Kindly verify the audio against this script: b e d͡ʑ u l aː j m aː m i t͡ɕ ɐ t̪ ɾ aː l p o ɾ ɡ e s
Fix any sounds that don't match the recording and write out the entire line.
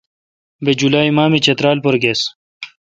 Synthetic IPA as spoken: b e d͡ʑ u l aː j m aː m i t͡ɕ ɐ t̪ ɾ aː l p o ɾ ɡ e s